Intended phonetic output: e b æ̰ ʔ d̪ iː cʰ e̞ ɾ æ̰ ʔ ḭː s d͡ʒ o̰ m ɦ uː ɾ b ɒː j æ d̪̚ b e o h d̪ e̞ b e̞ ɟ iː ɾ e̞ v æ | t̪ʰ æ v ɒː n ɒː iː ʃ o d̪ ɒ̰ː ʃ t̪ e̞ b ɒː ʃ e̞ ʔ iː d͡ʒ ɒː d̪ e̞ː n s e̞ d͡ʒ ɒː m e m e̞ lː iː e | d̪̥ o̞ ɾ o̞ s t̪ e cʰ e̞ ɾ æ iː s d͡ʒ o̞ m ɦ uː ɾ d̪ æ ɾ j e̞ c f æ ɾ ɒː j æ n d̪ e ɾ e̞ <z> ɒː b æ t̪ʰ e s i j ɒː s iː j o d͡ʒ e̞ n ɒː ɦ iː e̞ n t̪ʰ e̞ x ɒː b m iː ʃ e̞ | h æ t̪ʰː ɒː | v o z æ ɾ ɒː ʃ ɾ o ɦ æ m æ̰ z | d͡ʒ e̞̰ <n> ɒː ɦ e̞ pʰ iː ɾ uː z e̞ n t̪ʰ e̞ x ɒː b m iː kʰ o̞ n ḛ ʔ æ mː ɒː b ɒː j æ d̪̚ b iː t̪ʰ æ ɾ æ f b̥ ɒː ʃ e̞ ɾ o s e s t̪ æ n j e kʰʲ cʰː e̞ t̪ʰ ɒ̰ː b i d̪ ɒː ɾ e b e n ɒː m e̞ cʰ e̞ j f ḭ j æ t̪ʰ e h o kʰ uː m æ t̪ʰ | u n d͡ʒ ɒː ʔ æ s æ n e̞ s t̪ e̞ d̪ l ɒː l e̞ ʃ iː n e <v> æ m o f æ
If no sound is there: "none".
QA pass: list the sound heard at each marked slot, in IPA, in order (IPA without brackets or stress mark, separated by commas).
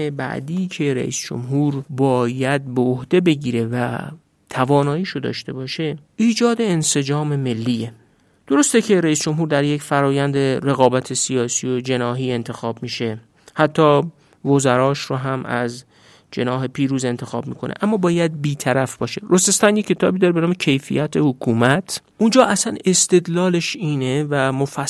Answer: ɣ, n, v